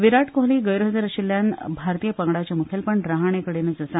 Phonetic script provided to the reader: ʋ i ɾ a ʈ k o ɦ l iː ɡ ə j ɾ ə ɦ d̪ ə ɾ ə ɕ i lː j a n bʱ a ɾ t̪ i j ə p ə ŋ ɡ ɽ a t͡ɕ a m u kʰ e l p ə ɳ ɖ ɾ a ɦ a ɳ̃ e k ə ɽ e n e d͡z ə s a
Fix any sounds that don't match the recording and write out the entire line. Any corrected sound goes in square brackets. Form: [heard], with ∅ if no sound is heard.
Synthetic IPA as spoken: ʋ i ɾ a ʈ k o ɦ l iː ɡ ə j ɾ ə ɦ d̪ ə ɾ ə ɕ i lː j a n bʱ a ɾ t̪ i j ə p ə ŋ ɡ ɽ a t͡ɕ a m u kʰ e l p ə ɳ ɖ ɾ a ɦ a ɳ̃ e k ə ɽ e n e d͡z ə s a